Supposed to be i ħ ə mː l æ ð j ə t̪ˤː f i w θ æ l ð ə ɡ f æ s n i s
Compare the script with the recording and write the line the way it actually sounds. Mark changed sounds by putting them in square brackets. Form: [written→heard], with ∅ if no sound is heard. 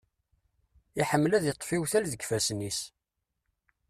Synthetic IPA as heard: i ħ ə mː l æ ð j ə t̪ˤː f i w θ æ l ð ə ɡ f æ s n i s